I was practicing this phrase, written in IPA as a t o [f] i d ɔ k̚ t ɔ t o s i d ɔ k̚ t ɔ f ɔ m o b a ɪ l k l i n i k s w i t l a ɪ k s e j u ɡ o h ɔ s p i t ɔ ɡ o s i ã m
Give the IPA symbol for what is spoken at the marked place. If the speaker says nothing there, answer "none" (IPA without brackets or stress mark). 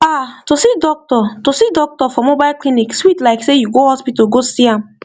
s